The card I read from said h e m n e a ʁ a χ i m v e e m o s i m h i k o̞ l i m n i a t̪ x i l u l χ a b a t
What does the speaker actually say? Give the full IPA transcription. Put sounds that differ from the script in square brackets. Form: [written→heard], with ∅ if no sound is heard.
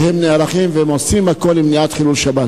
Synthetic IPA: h e m n e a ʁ a χ i m v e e m o s i m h [i→a] k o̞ l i m n i a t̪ [x→χ] i l u l [χ→ʃ] a b a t